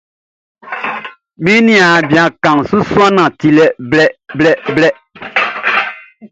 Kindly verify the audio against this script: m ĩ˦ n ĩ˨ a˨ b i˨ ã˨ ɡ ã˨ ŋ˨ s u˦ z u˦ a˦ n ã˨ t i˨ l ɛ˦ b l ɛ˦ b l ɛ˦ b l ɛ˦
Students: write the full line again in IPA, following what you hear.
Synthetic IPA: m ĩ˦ n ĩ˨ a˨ b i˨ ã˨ k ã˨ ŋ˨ s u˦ s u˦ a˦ n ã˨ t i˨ l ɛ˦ b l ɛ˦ b l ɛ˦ b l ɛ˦